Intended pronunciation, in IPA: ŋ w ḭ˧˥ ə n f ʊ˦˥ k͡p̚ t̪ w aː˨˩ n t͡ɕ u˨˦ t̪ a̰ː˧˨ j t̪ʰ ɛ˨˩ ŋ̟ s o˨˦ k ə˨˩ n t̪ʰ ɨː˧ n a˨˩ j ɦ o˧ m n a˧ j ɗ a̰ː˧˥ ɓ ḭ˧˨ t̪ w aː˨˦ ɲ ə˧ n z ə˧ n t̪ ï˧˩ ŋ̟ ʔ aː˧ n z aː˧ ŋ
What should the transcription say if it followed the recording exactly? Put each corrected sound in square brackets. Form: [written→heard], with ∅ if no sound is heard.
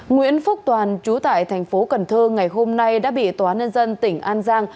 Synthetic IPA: ŋ w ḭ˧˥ ə n f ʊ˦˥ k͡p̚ t̪ w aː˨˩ n t͡ɕ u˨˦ t̪ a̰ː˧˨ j t̪ʰ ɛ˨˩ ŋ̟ [s→f] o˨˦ k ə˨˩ n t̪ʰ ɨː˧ [n→ŋ] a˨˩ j ɦ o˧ m n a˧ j ɗ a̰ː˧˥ ɓ ḭ˧˨ t̪ w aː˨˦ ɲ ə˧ n z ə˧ n t̪ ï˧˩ ŋ̟ ʔ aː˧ n z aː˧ ŋ